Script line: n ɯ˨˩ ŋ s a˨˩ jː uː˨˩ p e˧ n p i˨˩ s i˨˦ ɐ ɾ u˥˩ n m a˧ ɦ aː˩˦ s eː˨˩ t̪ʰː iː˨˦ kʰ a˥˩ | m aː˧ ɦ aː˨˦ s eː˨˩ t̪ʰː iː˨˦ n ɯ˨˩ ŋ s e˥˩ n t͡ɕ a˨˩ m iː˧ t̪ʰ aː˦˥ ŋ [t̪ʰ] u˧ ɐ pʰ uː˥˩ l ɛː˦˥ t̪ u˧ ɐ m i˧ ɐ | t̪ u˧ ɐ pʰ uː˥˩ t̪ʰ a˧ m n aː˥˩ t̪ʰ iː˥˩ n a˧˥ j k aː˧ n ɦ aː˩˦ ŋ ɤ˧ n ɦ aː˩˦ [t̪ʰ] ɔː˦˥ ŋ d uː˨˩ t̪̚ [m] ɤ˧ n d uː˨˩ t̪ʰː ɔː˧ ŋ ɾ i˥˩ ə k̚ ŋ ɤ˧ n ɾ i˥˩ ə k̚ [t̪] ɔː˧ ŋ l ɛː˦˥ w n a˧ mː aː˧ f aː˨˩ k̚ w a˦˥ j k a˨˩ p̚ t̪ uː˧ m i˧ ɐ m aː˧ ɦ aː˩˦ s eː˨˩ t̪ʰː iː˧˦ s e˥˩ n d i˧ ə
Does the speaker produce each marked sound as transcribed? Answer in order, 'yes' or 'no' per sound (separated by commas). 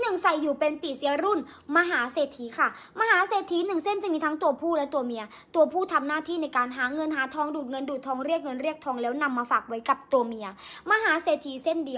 no, yes, no, no